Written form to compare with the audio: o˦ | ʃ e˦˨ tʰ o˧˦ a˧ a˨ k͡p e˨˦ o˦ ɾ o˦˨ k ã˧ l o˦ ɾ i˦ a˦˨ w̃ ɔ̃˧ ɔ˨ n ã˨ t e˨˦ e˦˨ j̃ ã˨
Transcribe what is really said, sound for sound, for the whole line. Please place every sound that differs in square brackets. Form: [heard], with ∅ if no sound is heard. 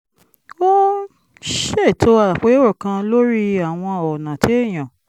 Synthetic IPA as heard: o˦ | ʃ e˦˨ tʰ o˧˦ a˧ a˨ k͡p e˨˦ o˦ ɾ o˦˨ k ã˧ l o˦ ɾ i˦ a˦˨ w̃ ɔ̃˧ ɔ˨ n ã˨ t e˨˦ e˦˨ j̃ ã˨